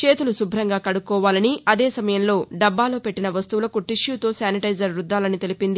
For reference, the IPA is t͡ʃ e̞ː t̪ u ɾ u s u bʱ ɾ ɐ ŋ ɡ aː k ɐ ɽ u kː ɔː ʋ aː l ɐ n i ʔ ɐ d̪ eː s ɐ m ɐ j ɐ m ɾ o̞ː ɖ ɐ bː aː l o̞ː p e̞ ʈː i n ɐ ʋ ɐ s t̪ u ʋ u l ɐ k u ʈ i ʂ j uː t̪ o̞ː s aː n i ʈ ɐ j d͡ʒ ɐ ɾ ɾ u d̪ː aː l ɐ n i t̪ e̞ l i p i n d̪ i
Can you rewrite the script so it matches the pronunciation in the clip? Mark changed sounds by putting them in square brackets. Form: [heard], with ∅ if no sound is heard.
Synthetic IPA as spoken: t͡ʃ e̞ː t̪ u [l] u s u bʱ ɾ ɐ ŋ ɡ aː k ɐ ɽ u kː ɔː ʋ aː l ɐ n i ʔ ɐ d̪ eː s ɐ m ɐ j ɐ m [l] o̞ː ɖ ɐ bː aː l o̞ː p e̞ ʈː i n ɐ ʋ ɐ s t̪ u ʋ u l ɐ k u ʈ i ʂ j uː t̪ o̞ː s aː n i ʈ ɐ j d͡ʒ ɐ ɾ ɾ u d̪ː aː l ɐ n i t̪ e̞ l i p i n d̪ i